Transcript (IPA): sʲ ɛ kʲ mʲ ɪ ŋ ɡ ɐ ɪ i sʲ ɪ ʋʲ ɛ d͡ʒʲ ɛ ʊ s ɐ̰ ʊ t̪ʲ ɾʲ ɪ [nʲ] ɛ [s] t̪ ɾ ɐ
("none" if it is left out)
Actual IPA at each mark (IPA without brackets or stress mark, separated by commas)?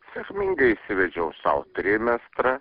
mʲ, s